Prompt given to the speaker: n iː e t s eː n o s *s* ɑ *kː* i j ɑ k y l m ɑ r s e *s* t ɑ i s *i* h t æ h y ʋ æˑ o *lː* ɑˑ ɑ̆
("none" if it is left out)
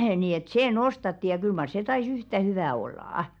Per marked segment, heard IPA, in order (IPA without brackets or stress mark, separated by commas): t, tː, none, y, lː